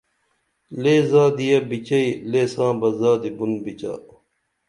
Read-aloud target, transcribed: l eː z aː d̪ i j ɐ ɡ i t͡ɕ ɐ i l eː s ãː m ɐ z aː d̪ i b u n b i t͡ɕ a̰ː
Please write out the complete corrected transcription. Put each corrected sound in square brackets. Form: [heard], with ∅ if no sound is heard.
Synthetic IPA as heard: l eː z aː d̪ i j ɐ [b] i t͡ɕ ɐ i l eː s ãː [b] ɐ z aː d̪ i b u n b i t͡ɕ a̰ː